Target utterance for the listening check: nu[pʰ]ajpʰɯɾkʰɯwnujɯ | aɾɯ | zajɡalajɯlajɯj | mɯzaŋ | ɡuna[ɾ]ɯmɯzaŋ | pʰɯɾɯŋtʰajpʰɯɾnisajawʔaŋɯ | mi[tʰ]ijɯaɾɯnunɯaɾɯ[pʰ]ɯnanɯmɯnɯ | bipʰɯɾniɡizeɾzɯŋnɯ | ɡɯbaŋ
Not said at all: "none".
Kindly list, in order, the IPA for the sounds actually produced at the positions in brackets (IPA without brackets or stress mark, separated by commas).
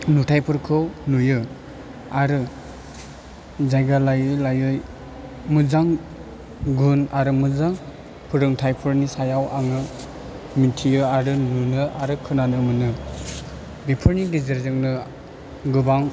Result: tʰ, ɾ, tʰ, kʰ